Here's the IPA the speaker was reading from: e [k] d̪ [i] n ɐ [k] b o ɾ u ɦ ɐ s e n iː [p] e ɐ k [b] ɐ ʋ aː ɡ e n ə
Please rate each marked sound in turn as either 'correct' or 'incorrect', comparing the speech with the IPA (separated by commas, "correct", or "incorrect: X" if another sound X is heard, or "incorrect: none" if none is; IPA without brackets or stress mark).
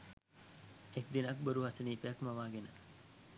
correct, correct, correct, correct, incorrect: m